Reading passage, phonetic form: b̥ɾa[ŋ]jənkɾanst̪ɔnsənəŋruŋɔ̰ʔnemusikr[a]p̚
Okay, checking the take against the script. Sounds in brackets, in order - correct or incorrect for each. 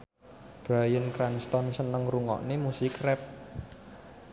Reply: incorrect, incorrect

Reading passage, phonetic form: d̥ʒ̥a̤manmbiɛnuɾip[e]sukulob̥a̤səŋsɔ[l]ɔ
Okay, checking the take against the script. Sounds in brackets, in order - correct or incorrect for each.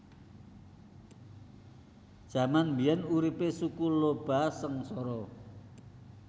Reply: correct, incorrect

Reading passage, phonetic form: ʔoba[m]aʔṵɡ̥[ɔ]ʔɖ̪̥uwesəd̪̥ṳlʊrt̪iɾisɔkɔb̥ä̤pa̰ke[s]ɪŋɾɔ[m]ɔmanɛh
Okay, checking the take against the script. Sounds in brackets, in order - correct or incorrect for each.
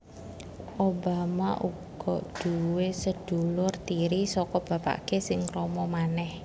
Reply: correct, correct, correct, correct

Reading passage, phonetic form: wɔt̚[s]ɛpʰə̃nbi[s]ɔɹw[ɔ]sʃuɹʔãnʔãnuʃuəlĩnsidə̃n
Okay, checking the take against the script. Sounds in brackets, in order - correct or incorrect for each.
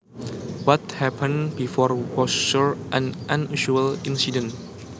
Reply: incorrect, incorrect, correct

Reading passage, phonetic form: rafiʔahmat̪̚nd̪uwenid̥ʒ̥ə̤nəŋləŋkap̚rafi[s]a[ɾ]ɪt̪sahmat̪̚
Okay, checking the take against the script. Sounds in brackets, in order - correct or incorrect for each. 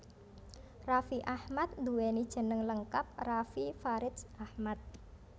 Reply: incorrect, correct

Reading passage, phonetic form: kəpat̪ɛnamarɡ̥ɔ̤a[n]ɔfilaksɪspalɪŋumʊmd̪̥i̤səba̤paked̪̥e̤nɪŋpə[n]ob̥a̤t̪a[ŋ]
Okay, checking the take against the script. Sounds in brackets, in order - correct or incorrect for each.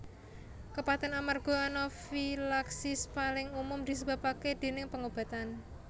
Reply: correct, incorrect, incorrect

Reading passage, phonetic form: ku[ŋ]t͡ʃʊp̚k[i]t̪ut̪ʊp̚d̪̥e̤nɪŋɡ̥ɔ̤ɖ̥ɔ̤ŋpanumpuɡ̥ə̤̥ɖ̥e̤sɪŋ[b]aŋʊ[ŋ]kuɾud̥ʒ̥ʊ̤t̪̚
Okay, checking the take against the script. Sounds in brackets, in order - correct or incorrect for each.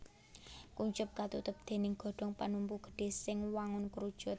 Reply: incorrect, incorrect, incorrect, incorrect

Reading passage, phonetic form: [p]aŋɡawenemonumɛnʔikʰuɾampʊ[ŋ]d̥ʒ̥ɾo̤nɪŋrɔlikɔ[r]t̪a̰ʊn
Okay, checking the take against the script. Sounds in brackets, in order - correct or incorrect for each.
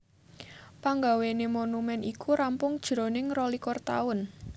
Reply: correct, correct, correct

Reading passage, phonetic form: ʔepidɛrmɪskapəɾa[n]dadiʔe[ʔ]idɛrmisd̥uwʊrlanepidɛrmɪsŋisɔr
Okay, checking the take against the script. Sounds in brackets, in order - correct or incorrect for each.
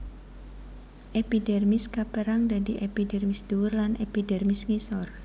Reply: incorrect, incorrect

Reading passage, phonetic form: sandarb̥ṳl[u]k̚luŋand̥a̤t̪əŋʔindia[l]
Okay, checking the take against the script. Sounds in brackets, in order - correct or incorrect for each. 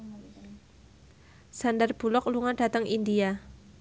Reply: incorrect, incorrect

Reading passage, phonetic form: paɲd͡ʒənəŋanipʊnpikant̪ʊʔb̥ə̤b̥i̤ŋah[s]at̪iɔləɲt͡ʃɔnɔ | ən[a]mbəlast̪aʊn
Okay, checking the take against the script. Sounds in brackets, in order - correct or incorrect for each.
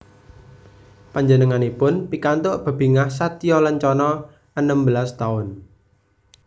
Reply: correct, incorrect

